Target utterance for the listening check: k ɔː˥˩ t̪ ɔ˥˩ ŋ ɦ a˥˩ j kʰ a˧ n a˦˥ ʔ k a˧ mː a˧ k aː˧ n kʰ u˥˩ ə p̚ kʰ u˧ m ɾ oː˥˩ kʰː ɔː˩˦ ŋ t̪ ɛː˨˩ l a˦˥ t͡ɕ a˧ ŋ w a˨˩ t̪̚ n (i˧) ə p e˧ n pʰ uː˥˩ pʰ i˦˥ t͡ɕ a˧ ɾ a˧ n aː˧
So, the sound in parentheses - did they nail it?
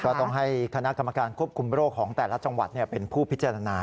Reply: no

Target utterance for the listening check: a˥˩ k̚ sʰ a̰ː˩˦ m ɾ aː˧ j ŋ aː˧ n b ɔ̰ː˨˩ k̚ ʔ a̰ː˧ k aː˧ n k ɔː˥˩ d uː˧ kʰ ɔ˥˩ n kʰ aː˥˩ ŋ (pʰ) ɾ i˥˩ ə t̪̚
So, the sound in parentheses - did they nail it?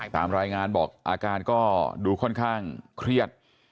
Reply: no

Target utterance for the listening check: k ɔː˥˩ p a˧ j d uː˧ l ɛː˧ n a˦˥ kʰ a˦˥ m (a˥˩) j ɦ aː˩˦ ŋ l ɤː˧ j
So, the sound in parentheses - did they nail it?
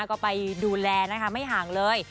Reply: yes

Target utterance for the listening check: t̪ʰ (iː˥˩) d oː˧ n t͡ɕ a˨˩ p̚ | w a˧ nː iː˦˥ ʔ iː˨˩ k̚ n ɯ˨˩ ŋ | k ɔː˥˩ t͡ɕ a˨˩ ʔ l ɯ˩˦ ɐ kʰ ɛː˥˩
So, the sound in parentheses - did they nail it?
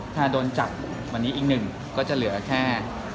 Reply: no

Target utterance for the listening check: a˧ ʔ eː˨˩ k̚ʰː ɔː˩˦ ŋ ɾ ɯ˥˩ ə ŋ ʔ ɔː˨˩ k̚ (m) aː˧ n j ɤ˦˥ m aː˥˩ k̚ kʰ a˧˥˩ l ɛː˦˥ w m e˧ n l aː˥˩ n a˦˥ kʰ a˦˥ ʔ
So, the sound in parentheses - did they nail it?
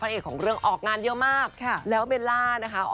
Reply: no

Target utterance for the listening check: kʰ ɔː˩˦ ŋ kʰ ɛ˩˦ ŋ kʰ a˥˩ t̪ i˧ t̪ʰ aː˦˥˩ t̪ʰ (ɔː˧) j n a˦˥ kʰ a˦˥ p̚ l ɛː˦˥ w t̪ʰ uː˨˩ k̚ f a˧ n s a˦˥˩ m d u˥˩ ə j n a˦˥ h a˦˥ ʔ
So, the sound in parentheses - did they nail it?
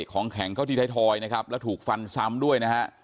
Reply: yes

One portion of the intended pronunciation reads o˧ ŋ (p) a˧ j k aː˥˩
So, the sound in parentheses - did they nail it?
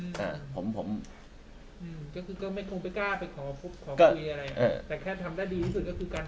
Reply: yes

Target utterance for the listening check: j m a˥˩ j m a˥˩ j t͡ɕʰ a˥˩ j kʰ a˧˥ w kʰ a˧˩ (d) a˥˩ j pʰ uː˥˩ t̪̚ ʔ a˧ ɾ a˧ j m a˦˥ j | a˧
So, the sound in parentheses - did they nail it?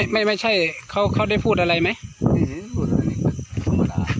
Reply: yes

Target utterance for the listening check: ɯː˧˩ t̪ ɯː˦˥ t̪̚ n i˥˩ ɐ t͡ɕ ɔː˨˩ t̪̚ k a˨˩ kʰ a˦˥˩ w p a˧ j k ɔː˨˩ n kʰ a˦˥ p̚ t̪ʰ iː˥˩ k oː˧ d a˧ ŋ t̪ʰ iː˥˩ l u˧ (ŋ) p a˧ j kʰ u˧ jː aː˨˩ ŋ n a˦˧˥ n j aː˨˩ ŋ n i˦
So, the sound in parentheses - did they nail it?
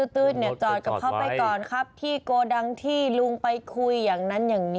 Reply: yes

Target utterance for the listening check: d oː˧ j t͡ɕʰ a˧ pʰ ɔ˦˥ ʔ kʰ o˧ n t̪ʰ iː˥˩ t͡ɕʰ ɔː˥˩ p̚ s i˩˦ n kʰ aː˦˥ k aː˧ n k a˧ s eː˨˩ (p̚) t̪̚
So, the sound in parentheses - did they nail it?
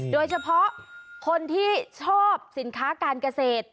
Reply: no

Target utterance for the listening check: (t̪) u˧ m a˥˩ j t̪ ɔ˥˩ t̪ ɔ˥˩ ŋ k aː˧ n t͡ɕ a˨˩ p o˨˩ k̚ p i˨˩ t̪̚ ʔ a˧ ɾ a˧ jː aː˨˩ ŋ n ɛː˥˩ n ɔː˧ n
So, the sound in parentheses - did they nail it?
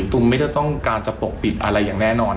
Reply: yes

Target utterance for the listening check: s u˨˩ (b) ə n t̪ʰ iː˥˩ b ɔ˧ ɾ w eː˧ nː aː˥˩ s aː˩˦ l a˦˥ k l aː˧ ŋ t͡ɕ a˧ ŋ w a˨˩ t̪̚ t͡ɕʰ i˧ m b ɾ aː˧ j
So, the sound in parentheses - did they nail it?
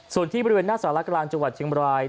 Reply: no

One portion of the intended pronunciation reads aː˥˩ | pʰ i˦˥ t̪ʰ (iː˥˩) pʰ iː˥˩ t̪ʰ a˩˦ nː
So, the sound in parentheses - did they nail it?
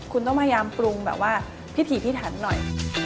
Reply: no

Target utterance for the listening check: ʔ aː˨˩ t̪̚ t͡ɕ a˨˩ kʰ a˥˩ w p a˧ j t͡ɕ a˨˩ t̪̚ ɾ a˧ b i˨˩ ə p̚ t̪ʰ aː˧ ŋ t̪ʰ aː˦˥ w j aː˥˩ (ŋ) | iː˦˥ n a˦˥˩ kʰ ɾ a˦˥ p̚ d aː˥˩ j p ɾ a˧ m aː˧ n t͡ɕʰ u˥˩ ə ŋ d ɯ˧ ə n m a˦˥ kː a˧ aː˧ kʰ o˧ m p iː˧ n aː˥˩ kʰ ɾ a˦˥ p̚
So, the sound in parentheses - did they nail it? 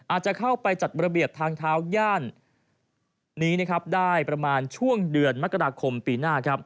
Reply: no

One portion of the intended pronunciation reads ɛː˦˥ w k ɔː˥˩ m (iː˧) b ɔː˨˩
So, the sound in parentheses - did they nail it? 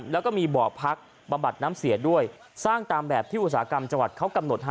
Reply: yes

